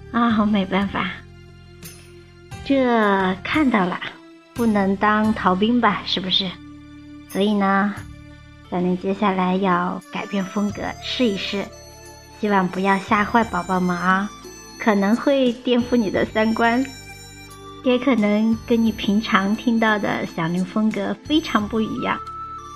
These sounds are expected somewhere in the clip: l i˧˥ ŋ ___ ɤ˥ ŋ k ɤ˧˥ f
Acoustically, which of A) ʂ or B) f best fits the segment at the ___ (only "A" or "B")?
B